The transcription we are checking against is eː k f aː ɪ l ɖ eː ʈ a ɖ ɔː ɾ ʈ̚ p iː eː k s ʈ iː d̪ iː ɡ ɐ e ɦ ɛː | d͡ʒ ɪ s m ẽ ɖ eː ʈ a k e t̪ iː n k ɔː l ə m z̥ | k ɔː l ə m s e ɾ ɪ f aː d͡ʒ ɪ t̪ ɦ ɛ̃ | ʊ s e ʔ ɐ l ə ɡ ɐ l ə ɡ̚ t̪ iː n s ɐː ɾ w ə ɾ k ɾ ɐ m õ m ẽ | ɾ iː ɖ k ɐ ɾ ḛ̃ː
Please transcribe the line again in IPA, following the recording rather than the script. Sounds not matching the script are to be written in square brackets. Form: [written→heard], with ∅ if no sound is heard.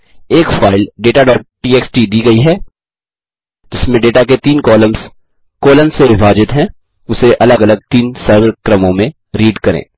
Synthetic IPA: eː k f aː ɪ l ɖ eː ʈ a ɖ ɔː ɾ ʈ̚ p iː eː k s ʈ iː d̪ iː ɡ ɐ [e→i] ɦ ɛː | d͡ʒ ɪ s m ẽ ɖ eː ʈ a k e t̪ iː n k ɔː l ə m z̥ | k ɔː l ə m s e ɾ ɪ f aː d͡ʒ ɪ t̪ ɦ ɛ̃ | ʊ s e ʔ ɐ l ə ɡ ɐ l ə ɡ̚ t̪ iː n s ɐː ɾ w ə ɾ k ɾ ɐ m õ m ẽ | ɾ iː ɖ k ɐ ɾ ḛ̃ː